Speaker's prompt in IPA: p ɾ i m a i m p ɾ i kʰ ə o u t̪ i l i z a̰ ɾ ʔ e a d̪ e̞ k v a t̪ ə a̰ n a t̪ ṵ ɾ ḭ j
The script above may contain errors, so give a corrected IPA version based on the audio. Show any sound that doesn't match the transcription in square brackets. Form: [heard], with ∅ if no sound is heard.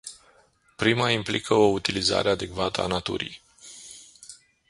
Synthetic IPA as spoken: p ɾ i m a i m p [l] i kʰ ə o u t̪ i l i z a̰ ɾ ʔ e a d̪ e̞ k v a t̪ ə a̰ n a t̪ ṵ ɾ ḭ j